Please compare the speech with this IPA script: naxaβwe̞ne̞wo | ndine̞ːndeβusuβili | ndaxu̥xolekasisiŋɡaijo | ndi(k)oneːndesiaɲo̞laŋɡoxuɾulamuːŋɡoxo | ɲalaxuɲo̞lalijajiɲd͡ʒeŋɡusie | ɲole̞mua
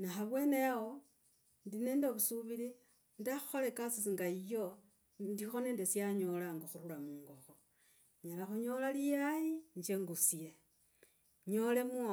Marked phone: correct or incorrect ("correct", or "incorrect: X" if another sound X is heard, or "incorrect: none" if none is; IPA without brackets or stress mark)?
incorrect: x